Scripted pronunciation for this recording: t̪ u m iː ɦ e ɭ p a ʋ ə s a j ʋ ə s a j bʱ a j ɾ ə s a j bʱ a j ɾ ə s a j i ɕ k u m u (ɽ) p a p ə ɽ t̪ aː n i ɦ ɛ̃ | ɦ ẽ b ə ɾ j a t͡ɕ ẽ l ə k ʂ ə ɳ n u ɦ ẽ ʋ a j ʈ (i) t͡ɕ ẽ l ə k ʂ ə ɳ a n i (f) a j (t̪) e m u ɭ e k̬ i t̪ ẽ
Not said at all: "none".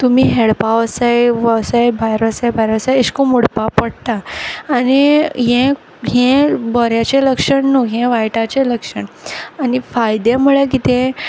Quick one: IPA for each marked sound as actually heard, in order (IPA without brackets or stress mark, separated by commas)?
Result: ɽ, a, f, d̪